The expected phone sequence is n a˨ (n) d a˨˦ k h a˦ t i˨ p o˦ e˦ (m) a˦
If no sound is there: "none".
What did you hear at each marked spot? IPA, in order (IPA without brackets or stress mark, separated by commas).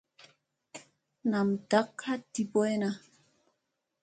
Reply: m, n